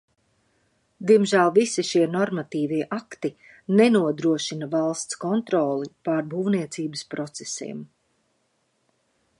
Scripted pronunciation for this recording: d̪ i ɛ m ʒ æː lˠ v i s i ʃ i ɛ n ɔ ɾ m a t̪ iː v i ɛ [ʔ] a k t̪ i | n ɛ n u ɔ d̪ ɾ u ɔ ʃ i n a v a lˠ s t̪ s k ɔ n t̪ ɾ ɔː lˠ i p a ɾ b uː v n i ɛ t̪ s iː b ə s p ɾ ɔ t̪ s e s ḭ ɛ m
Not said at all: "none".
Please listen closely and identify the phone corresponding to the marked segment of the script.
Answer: ʔ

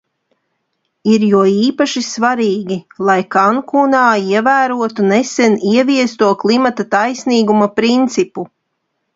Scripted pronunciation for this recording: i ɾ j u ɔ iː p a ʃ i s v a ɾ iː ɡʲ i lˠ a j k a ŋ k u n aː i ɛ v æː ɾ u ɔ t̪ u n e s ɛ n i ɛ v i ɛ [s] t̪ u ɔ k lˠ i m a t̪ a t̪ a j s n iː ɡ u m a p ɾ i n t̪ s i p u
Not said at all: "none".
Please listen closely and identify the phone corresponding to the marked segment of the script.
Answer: s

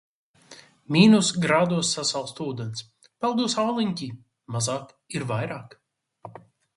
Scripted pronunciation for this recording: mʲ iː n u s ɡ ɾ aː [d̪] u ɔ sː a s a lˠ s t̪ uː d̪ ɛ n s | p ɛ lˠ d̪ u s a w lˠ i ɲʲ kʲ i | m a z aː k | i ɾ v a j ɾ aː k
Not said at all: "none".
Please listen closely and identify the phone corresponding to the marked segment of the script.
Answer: d̪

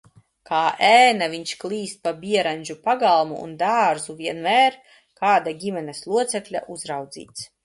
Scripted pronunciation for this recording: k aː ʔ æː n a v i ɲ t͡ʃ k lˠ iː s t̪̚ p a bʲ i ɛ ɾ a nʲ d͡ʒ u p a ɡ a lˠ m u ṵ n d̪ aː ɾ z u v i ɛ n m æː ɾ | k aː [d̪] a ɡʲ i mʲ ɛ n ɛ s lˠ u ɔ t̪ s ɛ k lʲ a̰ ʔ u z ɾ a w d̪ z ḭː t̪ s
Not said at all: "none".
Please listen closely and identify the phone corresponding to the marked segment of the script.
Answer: d̪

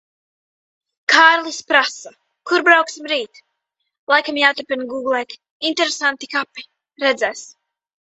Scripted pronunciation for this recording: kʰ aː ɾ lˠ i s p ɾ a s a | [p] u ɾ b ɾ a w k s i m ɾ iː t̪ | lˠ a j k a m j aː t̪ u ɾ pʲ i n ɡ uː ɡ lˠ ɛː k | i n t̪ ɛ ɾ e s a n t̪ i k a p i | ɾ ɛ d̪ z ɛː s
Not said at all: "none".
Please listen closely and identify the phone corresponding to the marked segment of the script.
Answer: k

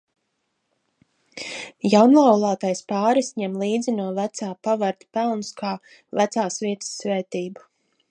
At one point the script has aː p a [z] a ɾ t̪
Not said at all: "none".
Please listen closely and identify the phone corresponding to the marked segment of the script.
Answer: v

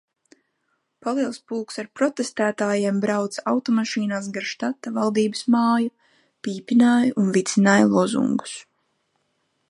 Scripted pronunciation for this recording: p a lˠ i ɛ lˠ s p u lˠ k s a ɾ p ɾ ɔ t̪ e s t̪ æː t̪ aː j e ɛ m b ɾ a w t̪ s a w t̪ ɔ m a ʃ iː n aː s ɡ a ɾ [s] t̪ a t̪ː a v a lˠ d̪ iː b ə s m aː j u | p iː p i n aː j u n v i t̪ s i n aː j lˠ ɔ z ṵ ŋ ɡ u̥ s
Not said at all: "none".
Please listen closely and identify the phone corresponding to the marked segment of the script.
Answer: ʃ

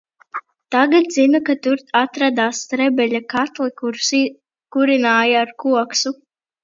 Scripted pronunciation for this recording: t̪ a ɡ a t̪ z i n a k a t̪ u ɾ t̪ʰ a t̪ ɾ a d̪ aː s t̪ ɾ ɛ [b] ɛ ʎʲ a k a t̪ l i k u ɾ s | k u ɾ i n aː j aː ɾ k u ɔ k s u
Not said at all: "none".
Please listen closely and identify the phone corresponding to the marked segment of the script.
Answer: b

